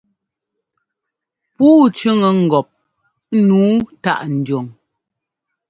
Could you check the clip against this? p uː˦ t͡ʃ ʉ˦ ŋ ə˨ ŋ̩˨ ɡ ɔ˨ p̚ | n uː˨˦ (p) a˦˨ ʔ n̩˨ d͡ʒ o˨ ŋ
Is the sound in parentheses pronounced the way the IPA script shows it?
no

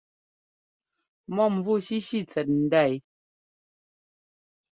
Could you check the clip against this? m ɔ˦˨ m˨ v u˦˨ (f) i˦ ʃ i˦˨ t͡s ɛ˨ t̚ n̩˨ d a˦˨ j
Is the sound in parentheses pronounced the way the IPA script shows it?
no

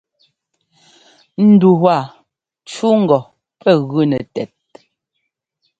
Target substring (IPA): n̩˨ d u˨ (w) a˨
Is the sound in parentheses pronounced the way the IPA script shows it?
yes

